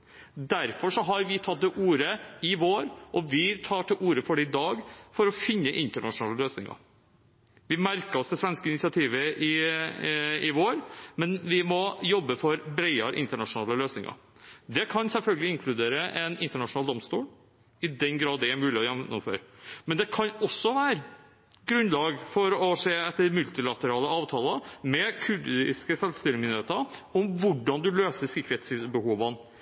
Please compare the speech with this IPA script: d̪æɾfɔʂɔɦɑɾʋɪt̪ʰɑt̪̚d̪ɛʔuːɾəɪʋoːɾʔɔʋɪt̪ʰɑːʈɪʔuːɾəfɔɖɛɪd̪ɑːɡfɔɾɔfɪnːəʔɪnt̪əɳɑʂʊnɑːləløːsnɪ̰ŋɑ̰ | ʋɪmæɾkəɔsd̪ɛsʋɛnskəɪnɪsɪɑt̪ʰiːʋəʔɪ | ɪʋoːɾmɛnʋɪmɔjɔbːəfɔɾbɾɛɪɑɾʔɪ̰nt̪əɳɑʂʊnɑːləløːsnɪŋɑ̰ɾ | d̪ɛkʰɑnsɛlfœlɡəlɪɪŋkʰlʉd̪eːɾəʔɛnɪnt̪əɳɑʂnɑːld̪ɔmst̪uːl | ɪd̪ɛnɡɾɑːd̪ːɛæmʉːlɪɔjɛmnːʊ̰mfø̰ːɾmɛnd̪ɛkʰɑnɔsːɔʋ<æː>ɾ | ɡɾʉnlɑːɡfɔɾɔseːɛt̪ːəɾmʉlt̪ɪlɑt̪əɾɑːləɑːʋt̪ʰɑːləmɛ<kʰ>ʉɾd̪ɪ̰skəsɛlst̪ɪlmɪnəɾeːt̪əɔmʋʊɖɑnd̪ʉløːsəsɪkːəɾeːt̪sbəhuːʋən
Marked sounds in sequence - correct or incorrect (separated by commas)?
correct, correct